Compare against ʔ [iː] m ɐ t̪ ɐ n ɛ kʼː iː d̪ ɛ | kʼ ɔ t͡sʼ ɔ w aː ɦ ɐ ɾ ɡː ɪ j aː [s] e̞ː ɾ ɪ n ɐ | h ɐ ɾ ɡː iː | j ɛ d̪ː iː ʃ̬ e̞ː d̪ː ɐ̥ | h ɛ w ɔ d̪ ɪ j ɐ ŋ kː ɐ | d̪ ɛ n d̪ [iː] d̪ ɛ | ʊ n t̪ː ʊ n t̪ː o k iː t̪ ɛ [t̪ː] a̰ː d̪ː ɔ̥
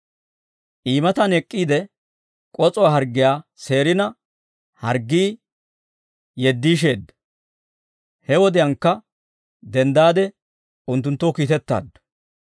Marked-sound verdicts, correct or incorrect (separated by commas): correct, correct, incorrect, correct